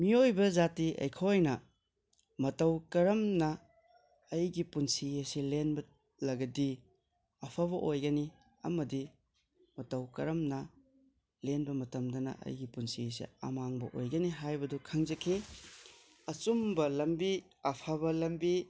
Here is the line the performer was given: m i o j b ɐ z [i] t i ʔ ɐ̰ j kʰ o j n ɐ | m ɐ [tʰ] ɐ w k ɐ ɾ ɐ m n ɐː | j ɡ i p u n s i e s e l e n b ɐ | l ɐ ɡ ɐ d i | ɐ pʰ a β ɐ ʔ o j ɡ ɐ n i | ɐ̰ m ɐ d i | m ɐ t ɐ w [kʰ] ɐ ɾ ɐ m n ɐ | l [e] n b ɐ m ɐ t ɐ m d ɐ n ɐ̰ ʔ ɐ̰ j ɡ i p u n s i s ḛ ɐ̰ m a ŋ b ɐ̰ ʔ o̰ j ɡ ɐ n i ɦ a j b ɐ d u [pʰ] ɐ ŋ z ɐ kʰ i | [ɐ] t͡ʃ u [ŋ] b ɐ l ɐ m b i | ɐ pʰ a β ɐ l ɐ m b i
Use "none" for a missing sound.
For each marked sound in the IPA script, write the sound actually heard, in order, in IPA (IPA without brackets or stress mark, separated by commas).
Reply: a, t, k, e, kʰ, ɐ, m